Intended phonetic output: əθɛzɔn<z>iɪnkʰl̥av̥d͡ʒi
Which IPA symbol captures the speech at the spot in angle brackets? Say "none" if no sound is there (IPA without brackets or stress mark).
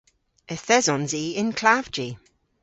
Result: z